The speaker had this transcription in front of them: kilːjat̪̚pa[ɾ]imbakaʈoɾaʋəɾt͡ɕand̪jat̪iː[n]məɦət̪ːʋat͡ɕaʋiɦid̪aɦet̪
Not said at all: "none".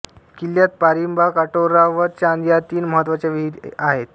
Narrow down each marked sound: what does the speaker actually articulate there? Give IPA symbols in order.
ɾ, n

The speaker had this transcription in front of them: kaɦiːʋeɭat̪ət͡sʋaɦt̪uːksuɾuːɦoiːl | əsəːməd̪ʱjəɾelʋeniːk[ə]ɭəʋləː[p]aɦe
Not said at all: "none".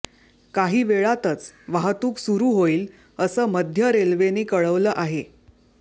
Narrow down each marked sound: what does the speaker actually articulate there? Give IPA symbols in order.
ə, ʔ

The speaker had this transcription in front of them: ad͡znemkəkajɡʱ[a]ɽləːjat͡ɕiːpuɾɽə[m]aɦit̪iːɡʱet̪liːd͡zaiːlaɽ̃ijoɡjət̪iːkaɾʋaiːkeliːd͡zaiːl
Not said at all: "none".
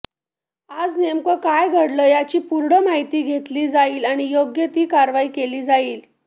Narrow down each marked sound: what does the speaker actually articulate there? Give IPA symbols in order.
ə, m

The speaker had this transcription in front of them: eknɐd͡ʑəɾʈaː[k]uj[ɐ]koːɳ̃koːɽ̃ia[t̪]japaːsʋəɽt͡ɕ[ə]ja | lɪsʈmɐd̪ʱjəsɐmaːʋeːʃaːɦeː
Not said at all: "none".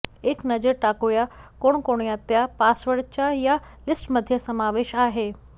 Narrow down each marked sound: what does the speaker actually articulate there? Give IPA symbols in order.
k, a, t̪, a

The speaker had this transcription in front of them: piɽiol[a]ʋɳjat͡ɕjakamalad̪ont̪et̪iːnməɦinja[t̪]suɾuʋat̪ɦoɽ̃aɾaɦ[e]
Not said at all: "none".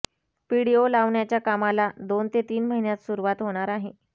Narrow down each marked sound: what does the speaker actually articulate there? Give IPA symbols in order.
a, t̪, e

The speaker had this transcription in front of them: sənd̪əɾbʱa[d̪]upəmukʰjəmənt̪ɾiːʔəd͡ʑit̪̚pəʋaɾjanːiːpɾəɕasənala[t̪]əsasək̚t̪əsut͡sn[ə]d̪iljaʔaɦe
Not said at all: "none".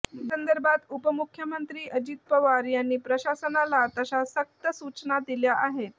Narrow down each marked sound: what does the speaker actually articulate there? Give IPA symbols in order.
t̪, t̪, a

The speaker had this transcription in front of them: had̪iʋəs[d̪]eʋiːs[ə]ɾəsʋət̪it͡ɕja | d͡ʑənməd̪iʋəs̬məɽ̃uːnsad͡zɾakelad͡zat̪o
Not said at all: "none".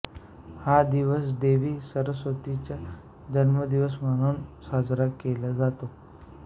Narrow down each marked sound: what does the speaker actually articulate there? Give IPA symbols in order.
d̪, ə

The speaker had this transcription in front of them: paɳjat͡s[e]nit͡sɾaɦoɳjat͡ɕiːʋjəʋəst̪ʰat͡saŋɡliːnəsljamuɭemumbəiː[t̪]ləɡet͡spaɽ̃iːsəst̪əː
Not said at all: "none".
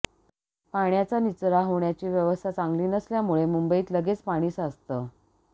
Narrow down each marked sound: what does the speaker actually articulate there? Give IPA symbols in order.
a, t̪

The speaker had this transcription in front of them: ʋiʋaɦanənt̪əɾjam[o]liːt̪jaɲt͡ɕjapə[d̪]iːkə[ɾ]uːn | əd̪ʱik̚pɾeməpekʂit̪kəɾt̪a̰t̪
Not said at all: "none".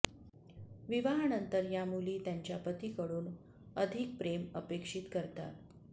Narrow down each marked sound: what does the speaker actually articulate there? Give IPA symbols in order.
u, t̪, ɽ

